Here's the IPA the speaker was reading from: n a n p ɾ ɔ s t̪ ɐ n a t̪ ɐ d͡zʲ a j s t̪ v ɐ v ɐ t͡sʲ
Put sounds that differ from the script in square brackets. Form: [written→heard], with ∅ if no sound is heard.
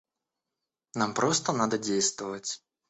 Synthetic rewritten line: n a [n→m] p ɾ ɔ s t̪ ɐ n a [t̪→d̪] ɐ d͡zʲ [a→e] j s t̪ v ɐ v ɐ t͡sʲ